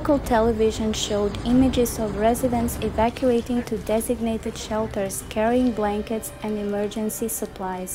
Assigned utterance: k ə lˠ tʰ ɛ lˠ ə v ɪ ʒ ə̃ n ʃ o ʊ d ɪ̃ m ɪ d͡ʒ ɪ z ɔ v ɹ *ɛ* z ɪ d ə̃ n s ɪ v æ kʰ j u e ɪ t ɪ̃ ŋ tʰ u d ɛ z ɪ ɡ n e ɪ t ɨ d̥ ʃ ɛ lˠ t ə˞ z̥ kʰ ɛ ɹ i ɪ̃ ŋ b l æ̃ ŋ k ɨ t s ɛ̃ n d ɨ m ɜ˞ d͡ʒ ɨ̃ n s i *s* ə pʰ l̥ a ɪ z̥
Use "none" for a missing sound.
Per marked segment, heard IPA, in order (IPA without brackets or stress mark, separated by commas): ɛ, s